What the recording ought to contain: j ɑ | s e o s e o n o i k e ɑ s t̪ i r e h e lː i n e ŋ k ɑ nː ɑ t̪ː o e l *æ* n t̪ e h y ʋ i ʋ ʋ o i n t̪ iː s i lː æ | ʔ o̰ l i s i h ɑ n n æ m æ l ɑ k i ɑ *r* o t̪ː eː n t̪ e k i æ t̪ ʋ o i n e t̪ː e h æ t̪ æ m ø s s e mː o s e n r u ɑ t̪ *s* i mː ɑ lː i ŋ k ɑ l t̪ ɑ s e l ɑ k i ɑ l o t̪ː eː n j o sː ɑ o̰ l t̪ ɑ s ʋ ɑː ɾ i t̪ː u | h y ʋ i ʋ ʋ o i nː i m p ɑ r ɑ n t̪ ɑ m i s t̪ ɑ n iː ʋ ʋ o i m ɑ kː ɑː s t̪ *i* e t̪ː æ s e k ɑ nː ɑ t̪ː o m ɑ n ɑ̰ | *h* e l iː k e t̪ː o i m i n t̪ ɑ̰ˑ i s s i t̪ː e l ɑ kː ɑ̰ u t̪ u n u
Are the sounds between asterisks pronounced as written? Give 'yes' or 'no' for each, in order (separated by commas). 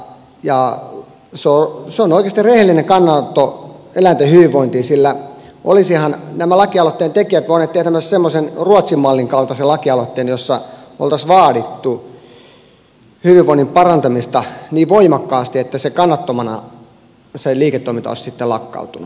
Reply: yes, no, yes, yes, no